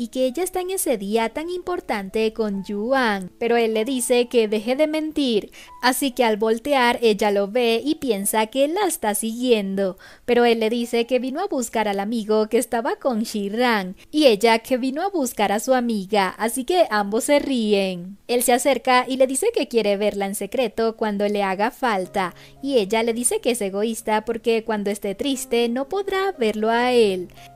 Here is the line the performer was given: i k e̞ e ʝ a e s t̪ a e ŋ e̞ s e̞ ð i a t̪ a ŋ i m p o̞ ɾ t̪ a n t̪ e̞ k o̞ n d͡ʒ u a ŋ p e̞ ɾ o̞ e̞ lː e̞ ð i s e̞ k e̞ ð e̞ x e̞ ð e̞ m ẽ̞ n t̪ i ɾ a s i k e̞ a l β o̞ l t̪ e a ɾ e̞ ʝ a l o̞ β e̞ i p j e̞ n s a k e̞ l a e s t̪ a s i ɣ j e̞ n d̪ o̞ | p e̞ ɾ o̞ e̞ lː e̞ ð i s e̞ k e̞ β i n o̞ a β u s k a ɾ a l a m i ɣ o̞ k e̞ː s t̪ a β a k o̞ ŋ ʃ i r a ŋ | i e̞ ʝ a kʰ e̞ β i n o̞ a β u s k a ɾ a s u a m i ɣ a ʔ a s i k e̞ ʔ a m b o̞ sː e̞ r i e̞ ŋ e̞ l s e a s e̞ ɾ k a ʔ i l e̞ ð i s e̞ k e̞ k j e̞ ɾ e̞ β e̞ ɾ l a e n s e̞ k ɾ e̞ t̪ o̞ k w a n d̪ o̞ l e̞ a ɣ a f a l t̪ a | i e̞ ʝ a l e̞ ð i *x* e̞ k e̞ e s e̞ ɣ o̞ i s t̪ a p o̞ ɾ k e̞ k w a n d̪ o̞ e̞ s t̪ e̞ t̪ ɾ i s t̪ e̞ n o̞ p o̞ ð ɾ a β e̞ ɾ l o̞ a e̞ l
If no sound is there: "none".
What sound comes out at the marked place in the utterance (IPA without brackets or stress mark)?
s